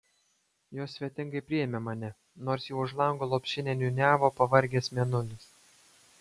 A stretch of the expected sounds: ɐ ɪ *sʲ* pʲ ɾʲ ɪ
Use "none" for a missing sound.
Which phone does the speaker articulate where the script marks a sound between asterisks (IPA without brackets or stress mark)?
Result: none